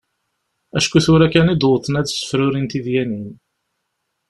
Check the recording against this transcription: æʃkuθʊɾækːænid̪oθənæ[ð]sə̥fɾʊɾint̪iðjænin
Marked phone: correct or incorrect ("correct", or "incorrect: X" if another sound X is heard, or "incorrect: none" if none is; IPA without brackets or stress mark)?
correct